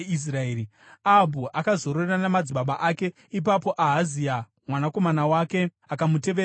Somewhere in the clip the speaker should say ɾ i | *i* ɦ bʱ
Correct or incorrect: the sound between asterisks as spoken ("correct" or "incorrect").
incorrect